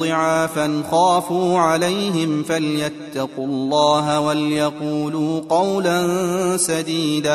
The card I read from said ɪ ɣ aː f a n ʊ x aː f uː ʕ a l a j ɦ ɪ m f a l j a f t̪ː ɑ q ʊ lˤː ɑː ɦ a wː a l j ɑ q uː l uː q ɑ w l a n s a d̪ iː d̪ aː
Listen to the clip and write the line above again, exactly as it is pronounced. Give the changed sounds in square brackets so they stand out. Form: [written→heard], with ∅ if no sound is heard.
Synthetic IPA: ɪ [ɣ→ʕ] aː f a n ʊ x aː f uː ʕ a l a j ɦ ɪ m f a l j a [f→∅] t̪ː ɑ q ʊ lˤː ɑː ɦ a [wː→w] a l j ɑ q uː l uː q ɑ w l a n s a d̪ iː d̪ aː